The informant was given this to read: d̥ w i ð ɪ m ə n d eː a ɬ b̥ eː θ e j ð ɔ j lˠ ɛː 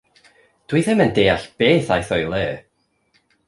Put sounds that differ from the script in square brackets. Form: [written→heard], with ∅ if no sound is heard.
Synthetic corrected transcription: d̥ w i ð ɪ m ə n d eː a ɬ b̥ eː θ [e→a] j [ð→θ] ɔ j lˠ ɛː